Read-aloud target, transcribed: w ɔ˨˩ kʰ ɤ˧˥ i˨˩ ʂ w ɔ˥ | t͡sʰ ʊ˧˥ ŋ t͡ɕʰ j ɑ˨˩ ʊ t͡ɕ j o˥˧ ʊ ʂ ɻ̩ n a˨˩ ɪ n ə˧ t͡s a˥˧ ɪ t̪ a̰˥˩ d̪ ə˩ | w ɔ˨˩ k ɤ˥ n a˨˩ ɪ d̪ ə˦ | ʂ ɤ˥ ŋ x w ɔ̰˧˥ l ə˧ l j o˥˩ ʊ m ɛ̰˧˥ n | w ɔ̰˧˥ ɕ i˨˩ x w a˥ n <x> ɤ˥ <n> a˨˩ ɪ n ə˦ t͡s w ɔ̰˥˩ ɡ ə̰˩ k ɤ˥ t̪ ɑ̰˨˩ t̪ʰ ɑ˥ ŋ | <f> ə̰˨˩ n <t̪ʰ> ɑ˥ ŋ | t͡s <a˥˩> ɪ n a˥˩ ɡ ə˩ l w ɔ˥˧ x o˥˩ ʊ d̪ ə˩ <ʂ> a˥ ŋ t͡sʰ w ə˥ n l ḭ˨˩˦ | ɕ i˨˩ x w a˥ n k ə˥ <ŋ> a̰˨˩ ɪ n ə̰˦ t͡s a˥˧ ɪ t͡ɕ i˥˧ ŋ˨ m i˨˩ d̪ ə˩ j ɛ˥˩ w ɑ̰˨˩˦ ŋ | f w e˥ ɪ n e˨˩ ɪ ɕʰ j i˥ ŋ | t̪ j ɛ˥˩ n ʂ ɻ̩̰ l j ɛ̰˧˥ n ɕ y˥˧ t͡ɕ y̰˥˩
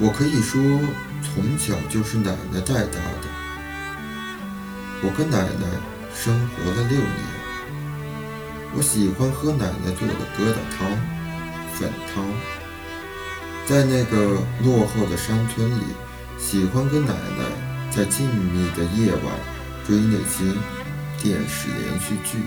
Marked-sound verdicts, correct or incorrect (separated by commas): correct, correct, correct, correct, incorrect, correct, incorrect